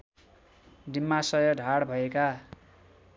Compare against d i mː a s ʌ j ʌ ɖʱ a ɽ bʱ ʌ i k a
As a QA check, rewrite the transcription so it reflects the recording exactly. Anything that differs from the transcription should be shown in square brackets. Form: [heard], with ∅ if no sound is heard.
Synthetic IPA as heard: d i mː a s ʌ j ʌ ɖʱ a ɽ bʱ ʌ [e] k a

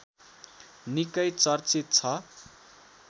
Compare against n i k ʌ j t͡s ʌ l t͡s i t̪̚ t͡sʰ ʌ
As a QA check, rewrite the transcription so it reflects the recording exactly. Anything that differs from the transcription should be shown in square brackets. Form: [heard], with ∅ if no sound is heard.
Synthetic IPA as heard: n i k ʌ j t͡s ʌ [r] t͡s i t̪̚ t͡sʰ ʌ

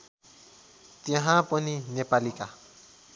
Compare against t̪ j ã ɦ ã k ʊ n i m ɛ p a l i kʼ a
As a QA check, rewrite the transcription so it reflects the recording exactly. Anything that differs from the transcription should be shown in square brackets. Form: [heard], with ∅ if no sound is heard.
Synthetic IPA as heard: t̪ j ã ɦ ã [p] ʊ n i [n] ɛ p a l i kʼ a

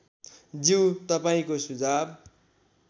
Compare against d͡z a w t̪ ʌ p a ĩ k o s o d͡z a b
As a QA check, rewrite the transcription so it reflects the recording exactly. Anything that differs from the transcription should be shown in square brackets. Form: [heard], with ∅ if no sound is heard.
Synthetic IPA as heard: d͡z [i] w t̪ ʌ p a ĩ k o s [u] d͡z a b

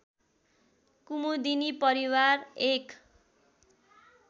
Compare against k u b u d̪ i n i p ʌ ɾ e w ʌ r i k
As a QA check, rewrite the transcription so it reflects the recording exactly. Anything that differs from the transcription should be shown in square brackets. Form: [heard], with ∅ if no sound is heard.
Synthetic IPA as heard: k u [m] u d̪ i n i p ʌ ɾ [i] w [a] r [e] k

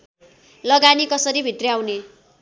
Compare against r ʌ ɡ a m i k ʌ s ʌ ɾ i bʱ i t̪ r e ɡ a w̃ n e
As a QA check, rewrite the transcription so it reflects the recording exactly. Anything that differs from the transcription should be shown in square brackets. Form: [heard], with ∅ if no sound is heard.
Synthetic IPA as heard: [l] ʌ ɡ a [n] i k ʌ s ʌ ɾ i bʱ i t̪ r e [∅] a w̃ n e

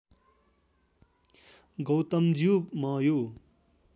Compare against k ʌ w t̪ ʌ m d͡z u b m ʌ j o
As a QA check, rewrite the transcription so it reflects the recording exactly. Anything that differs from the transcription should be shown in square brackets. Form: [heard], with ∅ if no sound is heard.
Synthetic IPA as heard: [ɡ] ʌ w t̪ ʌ m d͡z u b m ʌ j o

